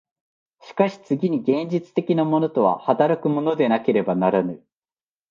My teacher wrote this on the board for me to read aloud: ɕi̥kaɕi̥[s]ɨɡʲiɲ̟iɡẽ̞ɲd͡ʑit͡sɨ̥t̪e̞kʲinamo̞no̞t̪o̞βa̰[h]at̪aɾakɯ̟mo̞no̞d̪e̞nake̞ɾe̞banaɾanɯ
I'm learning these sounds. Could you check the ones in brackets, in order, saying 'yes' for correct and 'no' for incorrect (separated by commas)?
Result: no, yes